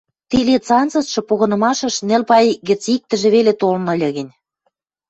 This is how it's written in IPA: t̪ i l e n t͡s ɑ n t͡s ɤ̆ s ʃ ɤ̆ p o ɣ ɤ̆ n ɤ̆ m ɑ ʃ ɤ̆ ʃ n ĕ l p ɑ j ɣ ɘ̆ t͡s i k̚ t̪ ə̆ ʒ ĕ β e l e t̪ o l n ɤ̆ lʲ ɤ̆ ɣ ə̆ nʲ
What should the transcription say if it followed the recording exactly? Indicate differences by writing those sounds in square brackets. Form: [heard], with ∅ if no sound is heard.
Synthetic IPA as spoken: t̪ i l e [∅] t͡s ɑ n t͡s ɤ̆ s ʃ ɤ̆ p o ɣ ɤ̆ n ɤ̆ m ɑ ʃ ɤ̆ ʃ n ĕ l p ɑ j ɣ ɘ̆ t͡s i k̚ t̪ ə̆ ʒ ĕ β e l e t̪ o l n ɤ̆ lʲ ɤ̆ ɣ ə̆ nʲ

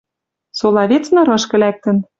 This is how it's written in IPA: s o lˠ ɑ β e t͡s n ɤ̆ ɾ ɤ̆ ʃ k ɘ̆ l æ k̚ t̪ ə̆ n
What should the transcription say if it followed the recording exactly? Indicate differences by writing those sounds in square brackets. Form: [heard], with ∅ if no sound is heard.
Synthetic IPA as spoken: s o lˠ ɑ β e t͡s n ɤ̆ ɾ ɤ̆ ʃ k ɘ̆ l æ k̚ t̪ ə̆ n

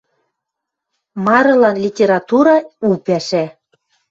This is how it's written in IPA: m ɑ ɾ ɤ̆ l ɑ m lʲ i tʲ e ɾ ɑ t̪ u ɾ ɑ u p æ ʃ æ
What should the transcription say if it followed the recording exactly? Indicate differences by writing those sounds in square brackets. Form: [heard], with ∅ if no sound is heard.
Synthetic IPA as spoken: m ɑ ɾ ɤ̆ l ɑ [n] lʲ i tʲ e ɾ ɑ t̪ u ɾ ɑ u p æ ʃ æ

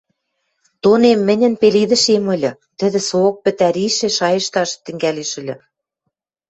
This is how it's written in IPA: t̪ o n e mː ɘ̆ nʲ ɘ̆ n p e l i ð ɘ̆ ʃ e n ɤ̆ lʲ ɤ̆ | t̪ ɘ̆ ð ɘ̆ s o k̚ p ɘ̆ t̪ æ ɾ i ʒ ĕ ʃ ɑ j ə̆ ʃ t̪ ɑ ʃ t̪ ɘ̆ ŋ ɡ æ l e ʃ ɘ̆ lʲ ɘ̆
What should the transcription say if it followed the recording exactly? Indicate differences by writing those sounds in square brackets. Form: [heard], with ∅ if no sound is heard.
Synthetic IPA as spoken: t̪ o n e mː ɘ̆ nʲ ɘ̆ n p e l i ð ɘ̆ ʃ e [m] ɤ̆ lʲ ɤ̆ | t̪ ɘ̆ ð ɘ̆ s o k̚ p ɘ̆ t̪ æ ɾ i [ʃ] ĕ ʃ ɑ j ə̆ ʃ t̪ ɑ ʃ t̪ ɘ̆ ŋ ɡ æ l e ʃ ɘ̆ lʲ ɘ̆

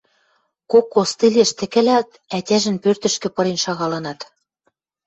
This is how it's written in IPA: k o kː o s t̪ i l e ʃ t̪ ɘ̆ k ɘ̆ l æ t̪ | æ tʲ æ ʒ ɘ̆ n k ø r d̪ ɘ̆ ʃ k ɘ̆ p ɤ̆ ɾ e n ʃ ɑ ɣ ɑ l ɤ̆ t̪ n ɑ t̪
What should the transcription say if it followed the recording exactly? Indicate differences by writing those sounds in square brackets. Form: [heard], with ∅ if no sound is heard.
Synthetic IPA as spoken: k o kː o s t̪ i l e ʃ t̪ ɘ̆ k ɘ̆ l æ t̪ | æ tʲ æ ʒ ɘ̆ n [p] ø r [t̪] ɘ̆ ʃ k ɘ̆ p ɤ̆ ɾ e n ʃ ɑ ɣ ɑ l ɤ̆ [∅] n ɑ t̪

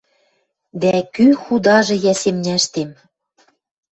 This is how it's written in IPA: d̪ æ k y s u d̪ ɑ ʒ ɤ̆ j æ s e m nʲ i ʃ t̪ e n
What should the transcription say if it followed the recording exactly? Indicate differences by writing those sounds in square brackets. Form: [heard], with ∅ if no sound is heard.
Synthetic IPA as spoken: d̪ æ k y [x] u d̪ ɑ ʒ ɤ̆ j æ s e m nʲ [æ] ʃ t̪ e [m]

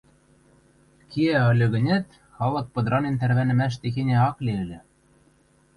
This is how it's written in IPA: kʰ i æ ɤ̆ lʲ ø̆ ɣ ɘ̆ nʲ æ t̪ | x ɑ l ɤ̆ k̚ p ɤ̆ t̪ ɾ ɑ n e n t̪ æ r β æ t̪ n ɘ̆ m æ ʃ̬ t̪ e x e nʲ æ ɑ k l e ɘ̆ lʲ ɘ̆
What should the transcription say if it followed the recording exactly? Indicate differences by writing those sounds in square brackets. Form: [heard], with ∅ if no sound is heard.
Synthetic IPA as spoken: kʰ i æ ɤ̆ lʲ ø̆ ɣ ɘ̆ nʲ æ t̪ | x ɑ l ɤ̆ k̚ p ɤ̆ [d̪] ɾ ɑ n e n t̪ æ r β æ [∅] n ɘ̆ m æ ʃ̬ t̪ e x e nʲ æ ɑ k l e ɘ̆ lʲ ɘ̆

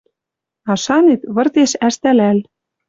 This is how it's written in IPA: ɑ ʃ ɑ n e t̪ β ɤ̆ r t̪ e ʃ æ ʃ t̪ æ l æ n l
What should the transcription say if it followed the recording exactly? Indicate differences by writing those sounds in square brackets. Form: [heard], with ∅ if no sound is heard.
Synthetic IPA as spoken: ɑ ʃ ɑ n e t̪ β ɤ̆ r t̪ e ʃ æ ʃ t̪ æ l æ [∅] l

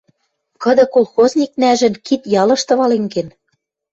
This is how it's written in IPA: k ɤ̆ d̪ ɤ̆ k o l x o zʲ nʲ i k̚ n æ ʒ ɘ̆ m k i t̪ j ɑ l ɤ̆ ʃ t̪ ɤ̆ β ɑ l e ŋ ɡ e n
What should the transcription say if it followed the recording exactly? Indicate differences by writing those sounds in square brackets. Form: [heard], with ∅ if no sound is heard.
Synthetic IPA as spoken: k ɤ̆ d̪ ɤ̆ k o l x o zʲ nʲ i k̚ n æ ʒ ɘ̆ [n] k i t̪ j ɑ l ɤ̆ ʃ t̪ ɤ̆ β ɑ l e ŋ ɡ e n

